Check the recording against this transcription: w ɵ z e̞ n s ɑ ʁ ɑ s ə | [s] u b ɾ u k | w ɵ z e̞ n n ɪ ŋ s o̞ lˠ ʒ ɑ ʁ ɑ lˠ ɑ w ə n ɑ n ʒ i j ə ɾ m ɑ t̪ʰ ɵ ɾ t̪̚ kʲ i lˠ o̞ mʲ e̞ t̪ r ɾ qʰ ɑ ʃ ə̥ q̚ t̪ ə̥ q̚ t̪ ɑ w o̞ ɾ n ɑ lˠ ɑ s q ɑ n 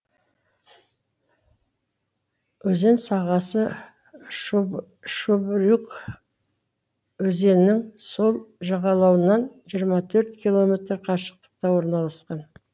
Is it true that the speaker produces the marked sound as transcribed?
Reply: no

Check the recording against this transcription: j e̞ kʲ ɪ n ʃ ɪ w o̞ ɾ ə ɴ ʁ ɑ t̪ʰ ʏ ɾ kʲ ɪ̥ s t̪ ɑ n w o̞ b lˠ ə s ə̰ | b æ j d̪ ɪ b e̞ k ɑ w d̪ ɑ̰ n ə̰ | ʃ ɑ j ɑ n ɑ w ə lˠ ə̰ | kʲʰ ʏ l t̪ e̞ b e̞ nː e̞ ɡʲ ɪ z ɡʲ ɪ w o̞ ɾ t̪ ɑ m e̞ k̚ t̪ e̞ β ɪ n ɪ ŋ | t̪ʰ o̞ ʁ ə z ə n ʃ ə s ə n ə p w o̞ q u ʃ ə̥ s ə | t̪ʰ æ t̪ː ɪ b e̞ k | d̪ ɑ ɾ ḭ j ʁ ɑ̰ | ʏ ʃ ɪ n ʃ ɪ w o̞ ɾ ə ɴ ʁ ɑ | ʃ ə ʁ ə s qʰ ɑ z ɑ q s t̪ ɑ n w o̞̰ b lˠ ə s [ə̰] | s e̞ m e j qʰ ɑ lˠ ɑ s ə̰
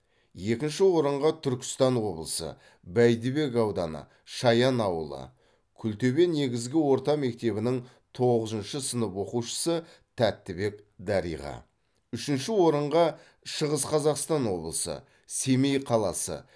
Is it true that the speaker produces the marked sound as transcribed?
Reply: yes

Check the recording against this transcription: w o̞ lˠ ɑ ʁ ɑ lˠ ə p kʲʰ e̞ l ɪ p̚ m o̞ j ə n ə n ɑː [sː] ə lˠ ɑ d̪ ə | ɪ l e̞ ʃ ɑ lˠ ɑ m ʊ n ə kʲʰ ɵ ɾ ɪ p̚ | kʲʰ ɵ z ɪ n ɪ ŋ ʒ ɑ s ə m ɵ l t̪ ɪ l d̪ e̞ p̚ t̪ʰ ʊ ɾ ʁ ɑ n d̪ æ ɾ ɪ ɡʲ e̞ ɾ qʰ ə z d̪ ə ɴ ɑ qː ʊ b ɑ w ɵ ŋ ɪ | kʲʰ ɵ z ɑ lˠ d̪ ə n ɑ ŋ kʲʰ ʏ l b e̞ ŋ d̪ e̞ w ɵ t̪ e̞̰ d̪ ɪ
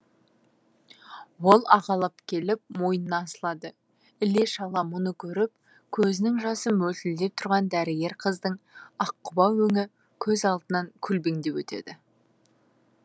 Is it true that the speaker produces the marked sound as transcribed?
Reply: no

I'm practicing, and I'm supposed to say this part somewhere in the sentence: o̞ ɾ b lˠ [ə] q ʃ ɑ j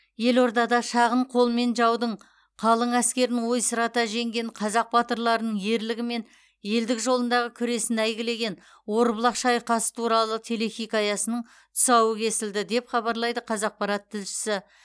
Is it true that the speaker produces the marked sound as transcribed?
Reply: no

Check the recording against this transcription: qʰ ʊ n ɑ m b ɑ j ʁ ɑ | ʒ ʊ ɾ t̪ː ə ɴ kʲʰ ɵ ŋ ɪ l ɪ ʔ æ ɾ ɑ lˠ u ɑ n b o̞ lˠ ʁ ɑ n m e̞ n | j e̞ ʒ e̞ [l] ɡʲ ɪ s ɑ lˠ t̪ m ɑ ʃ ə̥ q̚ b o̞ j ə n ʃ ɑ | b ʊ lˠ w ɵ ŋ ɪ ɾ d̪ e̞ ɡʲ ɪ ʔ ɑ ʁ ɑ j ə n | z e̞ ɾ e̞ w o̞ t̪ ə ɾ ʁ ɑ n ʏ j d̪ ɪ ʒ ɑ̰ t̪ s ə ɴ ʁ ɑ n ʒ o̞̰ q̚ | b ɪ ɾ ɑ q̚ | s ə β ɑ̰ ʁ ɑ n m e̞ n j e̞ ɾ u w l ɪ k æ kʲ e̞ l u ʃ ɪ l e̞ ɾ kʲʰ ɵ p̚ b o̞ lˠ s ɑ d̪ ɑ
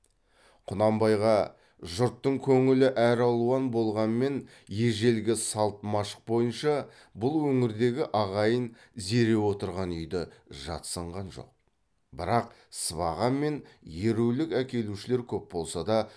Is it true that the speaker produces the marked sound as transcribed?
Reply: yes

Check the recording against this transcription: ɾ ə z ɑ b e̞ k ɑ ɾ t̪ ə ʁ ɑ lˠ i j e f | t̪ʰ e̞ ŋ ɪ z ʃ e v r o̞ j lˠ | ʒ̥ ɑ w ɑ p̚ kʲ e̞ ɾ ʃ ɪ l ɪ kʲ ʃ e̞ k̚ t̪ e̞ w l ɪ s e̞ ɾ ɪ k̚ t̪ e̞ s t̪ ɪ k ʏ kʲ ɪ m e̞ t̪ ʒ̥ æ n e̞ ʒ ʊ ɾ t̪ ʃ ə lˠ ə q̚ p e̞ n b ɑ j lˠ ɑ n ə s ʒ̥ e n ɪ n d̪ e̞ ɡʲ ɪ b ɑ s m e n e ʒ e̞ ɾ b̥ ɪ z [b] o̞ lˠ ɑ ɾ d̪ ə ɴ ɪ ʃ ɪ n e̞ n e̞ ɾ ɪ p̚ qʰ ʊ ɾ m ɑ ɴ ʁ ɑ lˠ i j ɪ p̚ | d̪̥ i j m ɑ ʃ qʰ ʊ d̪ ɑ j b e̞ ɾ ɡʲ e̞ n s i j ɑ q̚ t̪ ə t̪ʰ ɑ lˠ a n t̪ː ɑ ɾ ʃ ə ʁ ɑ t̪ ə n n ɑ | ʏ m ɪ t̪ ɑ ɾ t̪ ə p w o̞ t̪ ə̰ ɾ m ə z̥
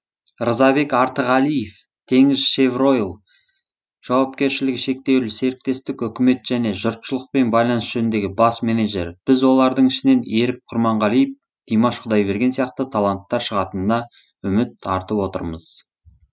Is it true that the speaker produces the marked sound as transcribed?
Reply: no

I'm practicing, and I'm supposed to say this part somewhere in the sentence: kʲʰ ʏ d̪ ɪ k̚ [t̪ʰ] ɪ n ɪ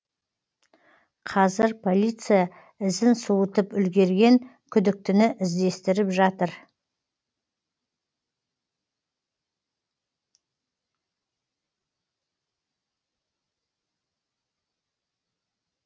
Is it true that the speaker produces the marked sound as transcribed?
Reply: no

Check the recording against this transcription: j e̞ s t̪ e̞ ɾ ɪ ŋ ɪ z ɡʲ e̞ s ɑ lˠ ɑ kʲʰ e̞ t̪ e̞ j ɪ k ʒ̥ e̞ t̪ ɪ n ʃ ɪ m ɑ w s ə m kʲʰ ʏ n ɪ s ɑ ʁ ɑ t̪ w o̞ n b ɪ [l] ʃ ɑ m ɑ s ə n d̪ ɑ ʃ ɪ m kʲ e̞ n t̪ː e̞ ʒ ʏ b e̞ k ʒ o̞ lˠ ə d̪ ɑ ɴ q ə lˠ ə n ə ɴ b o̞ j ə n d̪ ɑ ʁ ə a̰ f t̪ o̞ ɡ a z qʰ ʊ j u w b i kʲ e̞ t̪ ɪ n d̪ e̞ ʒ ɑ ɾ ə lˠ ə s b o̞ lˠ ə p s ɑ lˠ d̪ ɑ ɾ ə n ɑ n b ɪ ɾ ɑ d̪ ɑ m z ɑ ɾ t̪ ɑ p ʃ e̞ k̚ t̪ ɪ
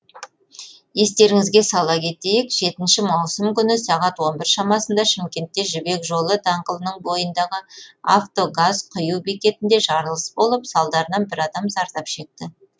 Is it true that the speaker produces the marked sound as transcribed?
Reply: no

